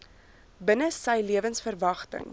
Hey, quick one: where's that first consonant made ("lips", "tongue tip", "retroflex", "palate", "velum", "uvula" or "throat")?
lips